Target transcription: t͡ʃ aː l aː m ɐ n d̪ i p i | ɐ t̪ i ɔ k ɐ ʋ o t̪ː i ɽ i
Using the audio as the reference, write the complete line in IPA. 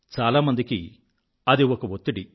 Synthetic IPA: t͡ʃ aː l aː m ɐ n d̪ i k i | ɐ d̪ i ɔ k ɐ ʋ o t̪ː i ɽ i